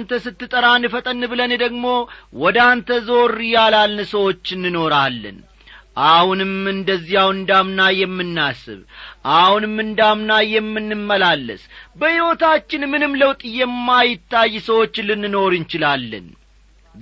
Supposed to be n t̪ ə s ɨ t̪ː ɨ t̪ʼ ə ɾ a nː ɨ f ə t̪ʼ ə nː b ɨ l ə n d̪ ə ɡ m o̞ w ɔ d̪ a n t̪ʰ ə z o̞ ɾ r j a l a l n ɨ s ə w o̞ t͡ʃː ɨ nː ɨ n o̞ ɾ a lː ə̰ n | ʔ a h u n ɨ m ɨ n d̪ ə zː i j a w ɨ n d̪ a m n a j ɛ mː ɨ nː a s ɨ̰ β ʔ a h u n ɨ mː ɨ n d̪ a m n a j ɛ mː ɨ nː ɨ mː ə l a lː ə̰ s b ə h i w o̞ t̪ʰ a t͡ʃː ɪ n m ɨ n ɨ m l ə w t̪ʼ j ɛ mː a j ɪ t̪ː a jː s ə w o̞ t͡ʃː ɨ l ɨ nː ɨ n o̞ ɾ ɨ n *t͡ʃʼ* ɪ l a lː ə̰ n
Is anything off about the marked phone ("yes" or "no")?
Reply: yes